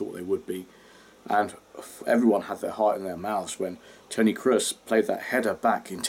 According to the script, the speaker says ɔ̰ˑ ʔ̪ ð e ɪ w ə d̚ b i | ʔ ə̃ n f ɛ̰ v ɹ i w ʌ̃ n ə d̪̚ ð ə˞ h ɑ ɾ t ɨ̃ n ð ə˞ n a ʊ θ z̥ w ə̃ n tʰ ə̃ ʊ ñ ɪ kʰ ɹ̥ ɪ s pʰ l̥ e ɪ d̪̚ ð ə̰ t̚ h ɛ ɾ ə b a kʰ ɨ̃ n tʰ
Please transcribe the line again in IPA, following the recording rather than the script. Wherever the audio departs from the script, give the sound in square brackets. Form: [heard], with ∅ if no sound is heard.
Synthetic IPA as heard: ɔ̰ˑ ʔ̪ ð e ɪ w ə d̚ b i | ʔ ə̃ n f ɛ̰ v ɹ i w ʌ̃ n ə d̪̚ ð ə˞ h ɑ [ɹ] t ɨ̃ n ð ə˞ [m] a ʊ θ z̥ w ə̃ n tʰ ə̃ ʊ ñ [i] kʰ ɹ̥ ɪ s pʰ l̥ e ɪ d̪̚ ð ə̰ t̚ h ɛ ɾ ə b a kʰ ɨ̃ n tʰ